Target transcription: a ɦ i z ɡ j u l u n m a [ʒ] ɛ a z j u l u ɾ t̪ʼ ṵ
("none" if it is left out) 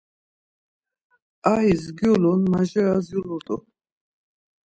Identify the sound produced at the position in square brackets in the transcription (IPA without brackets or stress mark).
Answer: ʒ